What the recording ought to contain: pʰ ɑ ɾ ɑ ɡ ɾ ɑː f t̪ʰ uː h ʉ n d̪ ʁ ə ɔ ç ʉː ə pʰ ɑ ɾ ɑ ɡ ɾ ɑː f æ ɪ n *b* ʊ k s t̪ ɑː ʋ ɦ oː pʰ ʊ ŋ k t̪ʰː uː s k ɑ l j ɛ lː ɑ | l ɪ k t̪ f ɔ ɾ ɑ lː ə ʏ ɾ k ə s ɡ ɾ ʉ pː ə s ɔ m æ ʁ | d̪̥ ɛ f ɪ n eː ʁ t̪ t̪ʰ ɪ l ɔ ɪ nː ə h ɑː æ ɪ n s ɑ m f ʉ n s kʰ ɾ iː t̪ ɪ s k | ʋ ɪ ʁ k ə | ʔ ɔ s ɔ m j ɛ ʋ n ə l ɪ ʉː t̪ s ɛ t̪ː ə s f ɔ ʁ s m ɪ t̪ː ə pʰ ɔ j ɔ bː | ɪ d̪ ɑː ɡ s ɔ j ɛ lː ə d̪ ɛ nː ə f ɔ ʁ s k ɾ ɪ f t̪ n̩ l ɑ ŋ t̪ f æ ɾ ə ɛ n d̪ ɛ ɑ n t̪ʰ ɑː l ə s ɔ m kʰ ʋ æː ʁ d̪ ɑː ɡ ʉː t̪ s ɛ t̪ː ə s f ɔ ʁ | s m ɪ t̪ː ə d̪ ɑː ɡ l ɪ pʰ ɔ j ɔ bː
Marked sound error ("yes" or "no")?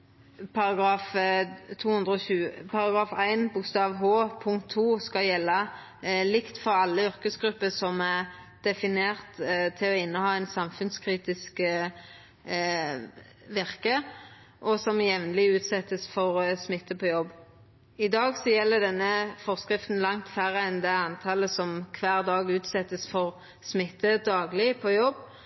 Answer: no